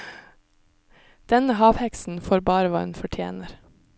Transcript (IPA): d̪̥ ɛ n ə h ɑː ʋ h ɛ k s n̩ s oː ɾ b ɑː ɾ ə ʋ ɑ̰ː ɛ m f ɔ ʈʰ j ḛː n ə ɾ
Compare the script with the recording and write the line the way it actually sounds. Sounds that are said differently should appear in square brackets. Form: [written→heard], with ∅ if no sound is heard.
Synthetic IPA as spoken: d̪̥ ɛ n ə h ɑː ʋ h ɛ k s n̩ [s→f] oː ɾ b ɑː ɾ ə ʋ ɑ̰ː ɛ [m→n] f ɔ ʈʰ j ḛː n ə ɾ